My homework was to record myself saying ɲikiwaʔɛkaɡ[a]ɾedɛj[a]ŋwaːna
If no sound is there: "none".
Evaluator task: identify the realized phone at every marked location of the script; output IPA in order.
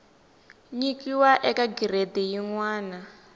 i, i

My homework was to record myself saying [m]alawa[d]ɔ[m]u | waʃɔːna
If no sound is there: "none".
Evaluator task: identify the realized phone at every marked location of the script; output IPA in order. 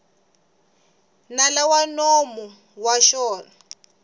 n, n, m

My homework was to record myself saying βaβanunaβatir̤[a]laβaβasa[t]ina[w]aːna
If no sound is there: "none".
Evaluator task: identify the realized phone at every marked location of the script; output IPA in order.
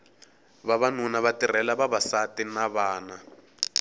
ɛ, t, β

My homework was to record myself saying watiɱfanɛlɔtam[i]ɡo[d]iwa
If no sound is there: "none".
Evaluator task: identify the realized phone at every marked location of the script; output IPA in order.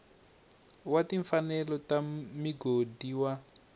i, d

